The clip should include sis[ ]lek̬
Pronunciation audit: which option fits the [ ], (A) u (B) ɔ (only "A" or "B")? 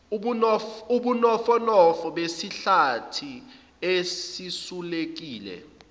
A